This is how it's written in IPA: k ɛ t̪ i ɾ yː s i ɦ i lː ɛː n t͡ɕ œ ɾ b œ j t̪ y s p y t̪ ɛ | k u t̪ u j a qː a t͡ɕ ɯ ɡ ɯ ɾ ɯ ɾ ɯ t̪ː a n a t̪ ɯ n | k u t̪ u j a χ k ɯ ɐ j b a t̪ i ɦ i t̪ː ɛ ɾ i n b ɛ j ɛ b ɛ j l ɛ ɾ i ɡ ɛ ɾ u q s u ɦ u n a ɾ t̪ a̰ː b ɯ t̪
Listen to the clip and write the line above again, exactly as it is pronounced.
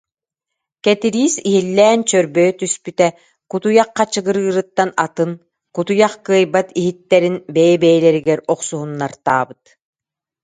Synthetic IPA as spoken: k ɛ t̪ i ɾ iː s i ɦ i lː ɛː n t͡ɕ œ ɾ b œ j t̪ y s p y t̪ ɛ | k u t̪ u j a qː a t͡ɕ ɯ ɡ ɯ ɾ ɯː ɾ ɯ t̪ː a n a t̪ ɯ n | k u t̪ u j a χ k ɯ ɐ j b a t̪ i ɦ i t̪ː ɛ ɾ i n b ɛ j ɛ b ɛ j l ɛ ɾ i ɡ ɛ ɾ ɔ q s u ɦ u nː a ɾ t̪ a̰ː b ɯ t̪